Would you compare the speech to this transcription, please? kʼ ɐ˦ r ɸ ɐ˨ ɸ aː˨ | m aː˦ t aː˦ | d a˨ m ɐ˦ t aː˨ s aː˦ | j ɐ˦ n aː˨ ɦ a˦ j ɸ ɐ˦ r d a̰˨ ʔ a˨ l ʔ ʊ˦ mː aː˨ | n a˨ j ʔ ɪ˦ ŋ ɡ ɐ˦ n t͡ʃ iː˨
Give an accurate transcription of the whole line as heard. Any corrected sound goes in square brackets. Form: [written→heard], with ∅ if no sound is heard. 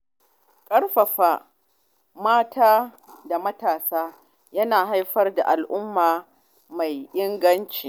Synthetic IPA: kʼ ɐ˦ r ɸ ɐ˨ ɸ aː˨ | m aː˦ t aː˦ | d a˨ m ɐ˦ t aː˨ s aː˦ | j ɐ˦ n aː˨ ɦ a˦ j ɸ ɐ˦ r d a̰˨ ʔ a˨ l ʔ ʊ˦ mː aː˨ | [n→m] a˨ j ʔ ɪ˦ ŋ ɡ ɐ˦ n t͡ʃ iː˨